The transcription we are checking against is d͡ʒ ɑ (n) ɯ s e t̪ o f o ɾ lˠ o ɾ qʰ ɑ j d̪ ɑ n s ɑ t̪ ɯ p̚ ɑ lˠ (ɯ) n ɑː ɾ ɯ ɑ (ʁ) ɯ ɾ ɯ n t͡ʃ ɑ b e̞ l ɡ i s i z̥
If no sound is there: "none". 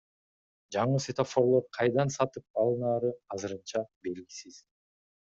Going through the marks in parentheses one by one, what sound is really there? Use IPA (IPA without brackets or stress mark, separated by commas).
ɴ, ɯ, z